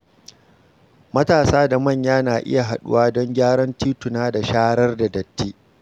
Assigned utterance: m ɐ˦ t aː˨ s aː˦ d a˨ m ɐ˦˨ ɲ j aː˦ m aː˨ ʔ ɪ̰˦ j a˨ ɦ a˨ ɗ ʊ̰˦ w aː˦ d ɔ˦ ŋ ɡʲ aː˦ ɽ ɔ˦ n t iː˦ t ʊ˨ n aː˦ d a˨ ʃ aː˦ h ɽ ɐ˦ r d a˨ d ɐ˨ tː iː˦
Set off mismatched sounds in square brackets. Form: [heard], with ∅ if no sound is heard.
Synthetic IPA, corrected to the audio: m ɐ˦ t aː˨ s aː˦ d a˨ m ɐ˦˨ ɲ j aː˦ [n] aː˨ ʔ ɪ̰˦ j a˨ ɦ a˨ ɗ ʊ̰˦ w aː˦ d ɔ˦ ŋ ɡʲ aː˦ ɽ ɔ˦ n t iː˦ t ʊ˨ n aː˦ d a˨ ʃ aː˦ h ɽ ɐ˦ r d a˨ d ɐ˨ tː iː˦

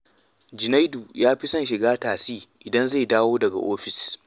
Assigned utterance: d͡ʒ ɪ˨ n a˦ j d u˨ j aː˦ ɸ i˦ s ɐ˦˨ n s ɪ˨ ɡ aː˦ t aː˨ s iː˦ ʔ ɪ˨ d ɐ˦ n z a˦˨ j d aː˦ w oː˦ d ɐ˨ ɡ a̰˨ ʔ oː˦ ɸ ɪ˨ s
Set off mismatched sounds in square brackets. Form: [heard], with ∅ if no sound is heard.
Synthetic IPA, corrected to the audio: d͡ʒ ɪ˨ n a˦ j d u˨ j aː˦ ɸ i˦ s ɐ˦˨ n [ʃ] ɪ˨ ɡ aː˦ t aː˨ s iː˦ ʔ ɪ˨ d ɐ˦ n z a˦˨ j d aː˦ w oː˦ d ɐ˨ ɡ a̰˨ ʔ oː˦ ɸ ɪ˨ s

